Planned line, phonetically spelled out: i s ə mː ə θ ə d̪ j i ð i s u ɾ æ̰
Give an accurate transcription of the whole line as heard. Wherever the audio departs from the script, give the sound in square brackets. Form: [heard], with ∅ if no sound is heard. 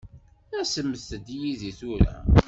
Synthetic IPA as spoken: [æ] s ə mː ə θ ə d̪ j i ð i [θ] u ɾ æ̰